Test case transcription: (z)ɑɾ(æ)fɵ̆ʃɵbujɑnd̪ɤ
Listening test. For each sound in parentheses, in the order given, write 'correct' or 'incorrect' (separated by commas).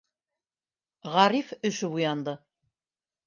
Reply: incorrect, incorrect